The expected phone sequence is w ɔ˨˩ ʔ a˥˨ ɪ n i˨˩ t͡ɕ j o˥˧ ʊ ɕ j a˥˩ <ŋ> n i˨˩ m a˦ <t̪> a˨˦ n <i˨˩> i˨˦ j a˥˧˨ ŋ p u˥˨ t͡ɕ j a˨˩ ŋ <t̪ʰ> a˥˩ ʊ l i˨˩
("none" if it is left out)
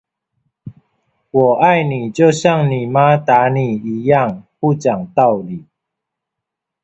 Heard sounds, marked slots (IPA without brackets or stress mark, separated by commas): ŋ, t̪, i˨˩, t̪